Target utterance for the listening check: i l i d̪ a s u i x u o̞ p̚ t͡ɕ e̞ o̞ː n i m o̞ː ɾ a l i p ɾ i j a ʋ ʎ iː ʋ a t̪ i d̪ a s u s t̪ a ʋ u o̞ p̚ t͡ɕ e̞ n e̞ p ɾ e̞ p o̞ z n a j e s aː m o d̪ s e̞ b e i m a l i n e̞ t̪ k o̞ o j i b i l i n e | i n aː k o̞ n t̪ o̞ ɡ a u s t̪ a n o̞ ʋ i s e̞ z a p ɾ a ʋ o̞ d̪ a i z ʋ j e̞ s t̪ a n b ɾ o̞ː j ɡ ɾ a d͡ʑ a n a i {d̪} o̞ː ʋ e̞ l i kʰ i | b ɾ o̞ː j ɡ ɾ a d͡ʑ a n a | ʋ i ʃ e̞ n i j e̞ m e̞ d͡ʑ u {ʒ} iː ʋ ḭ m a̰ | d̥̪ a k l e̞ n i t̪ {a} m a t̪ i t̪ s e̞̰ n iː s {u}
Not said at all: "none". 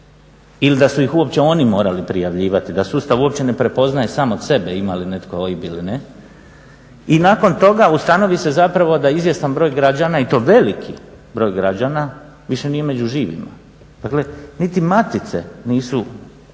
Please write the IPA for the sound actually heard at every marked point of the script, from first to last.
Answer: t̪, ʒ, i, u

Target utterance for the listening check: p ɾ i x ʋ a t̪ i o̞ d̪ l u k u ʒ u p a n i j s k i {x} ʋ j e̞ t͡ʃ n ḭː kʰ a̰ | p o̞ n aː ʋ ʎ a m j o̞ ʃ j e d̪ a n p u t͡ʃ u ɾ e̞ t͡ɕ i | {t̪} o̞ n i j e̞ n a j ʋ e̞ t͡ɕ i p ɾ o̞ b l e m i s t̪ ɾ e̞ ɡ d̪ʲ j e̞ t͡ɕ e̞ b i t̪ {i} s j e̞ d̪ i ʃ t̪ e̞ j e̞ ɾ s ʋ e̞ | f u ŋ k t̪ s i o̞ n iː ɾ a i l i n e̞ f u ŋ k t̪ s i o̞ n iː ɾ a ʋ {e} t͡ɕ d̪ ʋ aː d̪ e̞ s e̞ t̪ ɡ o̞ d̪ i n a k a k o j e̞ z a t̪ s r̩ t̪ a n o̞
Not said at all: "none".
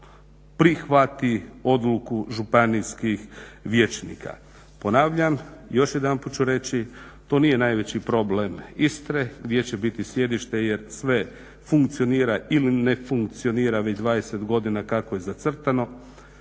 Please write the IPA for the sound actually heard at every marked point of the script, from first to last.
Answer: x, t̪, i, e

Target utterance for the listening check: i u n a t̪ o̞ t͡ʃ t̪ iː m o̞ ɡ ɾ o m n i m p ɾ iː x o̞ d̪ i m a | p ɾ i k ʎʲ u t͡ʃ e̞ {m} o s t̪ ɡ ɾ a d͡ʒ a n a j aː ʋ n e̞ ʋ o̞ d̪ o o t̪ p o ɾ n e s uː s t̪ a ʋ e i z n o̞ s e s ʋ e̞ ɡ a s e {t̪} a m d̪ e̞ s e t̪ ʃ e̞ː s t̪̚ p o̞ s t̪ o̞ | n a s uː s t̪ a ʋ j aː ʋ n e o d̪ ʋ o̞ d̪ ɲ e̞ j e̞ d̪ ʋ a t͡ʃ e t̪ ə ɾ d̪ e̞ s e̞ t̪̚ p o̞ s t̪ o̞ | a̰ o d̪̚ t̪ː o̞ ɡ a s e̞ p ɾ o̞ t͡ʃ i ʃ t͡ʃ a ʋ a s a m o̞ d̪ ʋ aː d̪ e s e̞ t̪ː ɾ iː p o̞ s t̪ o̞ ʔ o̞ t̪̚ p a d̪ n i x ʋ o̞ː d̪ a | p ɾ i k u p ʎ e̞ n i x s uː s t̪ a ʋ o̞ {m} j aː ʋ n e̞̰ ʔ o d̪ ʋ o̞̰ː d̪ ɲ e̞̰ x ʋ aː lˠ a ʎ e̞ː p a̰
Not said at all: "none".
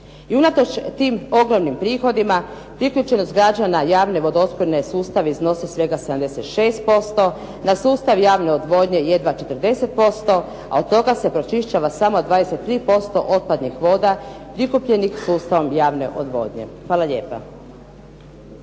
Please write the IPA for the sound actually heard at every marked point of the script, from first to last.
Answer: n, d̪, m

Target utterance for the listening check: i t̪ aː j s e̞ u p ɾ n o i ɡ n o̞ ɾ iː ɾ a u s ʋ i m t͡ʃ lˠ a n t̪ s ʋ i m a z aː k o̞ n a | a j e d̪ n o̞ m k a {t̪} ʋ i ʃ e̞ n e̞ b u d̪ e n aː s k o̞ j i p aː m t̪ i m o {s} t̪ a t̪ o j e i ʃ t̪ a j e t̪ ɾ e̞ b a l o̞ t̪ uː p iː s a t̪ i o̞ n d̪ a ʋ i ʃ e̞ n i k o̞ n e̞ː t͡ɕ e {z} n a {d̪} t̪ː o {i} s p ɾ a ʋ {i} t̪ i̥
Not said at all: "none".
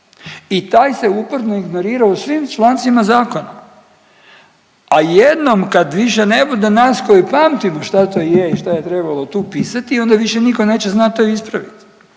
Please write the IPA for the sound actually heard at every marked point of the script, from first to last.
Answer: d̪, ʃ, z, t̪, i, i

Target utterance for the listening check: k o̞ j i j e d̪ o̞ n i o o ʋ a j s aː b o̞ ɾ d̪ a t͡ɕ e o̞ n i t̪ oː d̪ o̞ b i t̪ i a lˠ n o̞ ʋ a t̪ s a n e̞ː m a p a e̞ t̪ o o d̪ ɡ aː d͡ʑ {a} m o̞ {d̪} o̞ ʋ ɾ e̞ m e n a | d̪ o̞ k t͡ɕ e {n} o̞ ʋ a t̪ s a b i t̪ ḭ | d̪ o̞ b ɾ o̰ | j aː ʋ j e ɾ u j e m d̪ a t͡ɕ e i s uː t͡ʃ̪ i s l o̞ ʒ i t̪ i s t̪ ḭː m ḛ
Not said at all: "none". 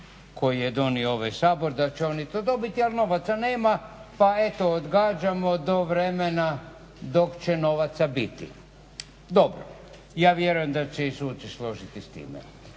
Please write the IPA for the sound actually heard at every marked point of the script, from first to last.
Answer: a, d̪, n

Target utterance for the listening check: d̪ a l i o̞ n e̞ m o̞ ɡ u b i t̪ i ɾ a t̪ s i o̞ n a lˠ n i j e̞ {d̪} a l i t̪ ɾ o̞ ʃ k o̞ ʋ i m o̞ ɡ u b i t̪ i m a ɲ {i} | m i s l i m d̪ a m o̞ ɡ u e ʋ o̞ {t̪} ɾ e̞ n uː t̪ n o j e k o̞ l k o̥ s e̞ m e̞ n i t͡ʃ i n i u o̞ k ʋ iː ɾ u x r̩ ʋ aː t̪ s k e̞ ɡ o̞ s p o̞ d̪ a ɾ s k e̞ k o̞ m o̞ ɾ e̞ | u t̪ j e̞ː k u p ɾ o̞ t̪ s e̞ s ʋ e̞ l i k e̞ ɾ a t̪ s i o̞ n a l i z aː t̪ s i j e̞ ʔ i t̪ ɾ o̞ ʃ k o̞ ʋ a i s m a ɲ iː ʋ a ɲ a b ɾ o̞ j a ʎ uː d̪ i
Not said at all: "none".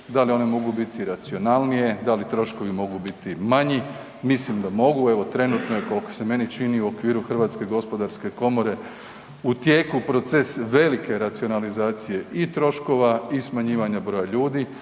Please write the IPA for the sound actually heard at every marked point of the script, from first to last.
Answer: d̪, i, t̪

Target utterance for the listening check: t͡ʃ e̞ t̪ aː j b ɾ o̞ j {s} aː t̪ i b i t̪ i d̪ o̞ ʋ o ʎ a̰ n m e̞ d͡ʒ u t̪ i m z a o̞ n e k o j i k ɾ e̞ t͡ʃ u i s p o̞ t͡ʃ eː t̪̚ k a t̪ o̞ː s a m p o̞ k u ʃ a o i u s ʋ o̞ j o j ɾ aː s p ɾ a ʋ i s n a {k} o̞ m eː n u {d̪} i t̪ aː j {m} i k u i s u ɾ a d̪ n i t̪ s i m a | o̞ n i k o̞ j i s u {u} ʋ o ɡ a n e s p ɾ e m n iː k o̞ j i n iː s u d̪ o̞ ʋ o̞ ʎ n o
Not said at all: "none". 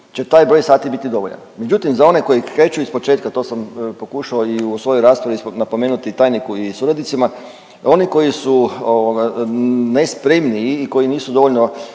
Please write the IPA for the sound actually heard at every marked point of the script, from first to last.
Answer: s, p, t̪, n, o

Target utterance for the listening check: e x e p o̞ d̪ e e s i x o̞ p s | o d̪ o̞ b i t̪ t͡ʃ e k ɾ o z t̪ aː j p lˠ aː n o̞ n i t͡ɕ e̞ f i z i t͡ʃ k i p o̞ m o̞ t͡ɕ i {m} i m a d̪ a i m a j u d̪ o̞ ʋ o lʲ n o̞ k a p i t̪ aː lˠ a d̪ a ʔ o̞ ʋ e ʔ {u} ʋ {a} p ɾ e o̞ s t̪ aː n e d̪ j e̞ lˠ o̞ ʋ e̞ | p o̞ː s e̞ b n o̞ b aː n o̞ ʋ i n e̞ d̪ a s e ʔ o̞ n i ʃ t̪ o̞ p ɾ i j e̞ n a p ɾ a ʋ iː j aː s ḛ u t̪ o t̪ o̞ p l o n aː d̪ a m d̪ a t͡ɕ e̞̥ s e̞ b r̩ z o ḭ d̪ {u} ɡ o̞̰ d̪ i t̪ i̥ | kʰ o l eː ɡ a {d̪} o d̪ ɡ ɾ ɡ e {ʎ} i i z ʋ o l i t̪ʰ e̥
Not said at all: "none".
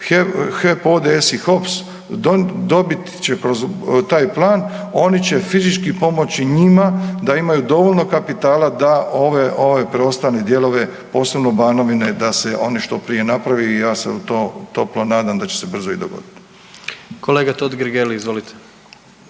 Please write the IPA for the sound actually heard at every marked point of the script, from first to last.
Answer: ɲ, o, e, o, t̪, l

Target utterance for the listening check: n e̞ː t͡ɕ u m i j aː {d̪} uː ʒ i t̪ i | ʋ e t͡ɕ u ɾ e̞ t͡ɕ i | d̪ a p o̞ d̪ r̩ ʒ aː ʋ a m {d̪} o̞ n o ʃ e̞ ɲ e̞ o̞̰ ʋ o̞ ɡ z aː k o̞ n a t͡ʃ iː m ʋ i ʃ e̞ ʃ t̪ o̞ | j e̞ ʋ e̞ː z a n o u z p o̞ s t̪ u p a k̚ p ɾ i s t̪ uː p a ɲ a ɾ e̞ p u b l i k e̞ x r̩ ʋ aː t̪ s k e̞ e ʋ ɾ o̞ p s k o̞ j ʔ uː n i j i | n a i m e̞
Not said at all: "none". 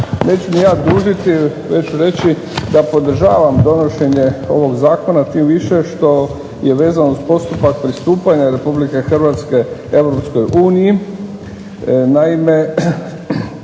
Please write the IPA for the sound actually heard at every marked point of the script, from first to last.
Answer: d̪, d̪

